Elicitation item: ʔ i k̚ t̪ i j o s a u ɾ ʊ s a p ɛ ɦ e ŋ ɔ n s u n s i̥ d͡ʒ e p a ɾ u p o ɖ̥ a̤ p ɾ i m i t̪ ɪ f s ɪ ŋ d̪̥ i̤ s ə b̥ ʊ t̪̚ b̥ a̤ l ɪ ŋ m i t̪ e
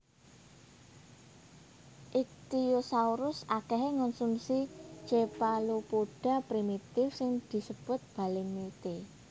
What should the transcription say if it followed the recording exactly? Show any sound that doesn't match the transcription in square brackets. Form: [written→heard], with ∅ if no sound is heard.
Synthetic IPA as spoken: ʔ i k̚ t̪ i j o s a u ɾ ʊ s a [p→k] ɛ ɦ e ŋ ɔ n s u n s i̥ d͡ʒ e p a [ɾ→l] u p o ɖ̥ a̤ p ɾ i m i t̪ ɪ f s ɪ ŋ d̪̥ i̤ s ə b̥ ʊ t̪̚ b̥ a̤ l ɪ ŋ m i t̪ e

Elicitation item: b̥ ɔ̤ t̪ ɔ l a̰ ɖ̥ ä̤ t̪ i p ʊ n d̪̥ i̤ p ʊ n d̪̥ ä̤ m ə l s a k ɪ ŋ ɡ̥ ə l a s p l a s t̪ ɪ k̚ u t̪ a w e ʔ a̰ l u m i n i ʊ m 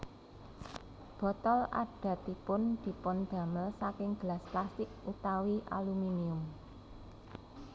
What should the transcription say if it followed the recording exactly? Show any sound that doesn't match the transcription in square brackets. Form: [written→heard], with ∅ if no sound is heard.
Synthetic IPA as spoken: b̥ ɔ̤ t̪ ɔ l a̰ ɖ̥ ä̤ t̪ i p ʊ n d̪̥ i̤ p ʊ n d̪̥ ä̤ m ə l s a k ɪ ŋ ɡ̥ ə l a s p l a s t̪ ɪ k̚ u t̪ a w [e→i] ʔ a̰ l u m i n i ʊ m

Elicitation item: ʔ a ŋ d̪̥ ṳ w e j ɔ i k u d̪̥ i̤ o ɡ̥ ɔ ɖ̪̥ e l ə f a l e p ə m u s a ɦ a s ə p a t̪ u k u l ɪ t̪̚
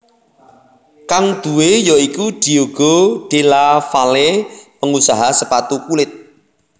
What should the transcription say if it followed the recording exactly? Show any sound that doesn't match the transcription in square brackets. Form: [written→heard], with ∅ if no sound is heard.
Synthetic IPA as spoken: [ʔ→k] a ŋ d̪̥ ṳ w e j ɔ i k u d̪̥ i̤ o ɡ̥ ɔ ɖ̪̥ e l [ə→a] f a l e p ə [m→ŋ] u s a ɦ a s ə p a t̪ u k u l ɪ t̪̚

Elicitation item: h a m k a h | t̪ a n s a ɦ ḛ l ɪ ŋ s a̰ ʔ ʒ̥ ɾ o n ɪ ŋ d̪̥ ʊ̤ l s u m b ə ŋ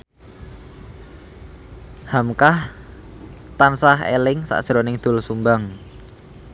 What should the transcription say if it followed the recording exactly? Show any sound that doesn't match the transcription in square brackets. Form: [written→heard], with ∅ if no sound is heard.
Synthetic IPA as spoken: h a m k a h | t̪ a n s a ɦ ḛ l ɪ ŋ s a̰ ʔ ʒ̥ ɾ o n ɪ ŋ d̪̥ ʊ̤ l s u m b [ə→a] ŋ

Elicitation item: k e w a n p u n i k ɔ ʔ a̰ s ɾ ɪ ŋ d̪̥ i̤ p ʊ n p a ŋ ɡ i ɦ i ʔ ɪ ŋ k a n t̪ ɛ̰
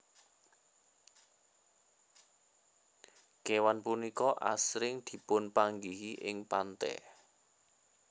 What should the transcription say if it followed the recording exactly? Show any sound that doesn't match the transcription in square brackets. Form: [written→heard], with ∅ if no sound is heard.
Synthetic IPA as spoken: k e w a n p u n i k ɔ ʔ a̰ s ɾ ɪ ŋ d̪̥ i̤ p ʊ n p a ŋ ɡ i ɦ i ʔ ɪ ŋ [k→p] a n t̪ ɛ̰

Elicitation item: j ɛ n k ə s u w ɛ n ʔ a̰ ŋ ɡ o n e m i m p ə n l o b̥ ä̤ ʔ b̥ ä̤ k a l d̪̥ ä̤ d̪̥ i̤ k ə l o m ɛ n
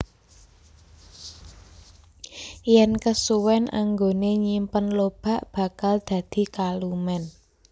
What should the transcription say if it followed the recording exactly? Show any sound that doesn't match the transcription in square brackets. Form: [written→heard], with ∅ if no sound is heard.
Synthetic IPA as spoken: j ɛ n k ə s u w ɛ n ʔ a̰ ŋ ɡ o n e [m→ɲ] i m p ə n l o b̥ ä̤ ʔ b̥ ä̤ k a l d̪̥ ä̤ d̪̥ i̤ k [ə→a] l [o→u] m ɛ n

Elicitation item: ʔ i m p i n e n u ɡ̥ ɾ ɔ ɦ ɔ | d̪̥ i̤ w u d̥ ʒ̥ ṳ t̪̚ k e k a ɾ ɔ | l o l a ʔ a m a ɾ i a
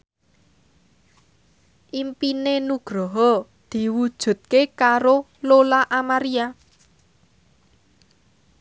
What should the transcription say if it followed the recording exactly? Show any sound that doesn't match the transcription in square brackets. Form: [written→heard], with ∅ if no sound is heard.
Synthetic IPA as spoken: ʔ i m p i n e n u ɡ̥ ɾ ɔ ɦ ɔ | d̪̥ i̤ w u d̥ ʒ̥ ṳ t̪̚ k e k a ɾ [ɔ→o] | l o l a ʔ a m a ɾ i a

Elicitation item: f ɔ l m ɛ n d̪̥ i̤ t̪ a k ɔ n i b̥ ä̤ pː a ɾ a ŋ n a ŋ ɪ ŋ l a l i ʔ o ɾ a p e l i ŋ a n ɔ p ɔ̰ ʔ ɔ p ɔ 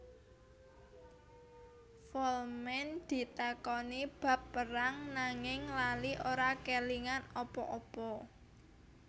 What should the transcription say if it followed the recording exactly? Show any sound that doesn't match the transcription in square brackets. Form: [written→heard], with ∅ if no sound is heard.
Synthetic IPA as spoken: f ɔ l m ɛ n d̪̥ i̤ t̪ a k ɔ n i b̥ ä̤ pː [a→ə] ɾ a ŋ n a ŋ ɪ ŋ l a l i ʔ o ɾ a [p→k] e l i ŋ a n ɔ p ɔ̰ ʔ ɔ p ɔ

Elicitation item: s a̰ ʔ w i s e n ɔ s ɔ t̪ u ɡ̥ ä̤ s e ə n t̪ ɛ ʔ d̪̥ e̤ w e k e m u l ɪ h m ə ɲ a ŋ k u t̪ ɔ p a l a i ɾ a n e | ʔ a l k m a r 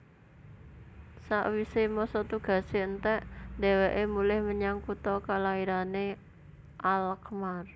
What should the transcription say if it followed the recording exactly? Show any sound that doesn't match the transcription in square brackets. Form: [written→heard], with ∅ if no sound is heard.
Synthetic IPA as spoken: s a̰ ʔ w i s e [n→m] ɔ s ɔ t̪ u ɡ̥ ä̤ s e ə n t̪ ɛ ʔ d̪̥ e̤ w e [k→ʔ] e m u l ɪ h m ə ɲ a ŋ k u t̪ ɔ [p→k] a l a i ɾ a n e | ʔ a l k m a r

